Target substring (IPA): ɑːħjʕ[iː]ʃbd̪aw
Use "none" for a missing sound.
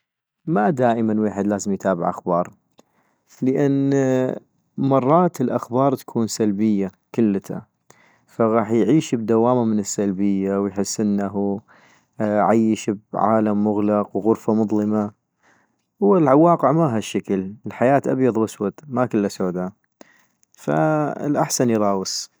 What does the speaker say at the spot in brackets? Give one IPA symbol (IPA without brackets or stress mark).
iː